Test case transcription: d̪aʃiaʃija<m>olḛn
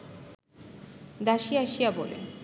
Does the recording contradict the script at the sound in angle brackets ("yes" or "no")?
yes